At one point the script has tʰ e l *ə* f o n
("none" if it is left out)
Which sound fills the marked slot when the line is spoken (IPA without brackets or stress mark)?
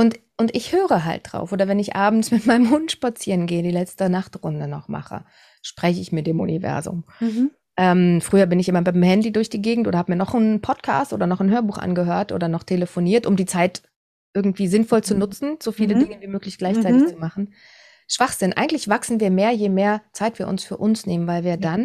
ə